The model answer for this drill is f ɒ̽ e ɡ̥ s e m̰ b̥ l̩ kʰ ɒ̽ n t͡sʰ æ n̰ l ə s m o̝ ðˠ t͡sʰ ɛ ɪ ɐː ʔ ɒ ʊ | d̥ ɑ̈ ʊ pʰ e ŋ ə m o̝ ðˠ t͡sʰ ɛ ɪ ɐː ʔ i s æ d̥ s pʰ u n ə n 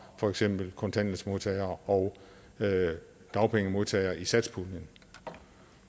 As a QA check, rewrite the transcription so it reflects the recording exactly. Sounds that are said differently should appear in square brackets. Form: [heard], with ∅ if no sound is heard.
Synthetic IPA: f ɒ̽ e ɡ̥ s e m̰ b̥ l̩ kʰ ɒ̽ n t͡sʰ æ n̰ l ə s m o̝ ðˠ t͡sʰ ɛ ɪ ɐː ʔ ɒ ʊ | d̥ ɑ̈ ʊ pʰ e ŋ ə m o̝ ðˠ t͡sʰ ɛ ɪ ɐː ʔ i s æ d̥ s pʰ u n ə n